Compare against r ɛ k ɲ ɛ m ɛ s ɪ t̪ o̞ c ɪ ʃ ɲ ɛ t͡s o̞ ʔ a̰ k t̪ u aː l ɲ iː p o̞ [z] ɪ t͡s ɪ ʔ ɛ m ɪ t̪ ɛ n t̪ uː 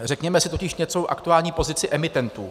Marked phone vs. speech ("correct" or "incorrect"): correct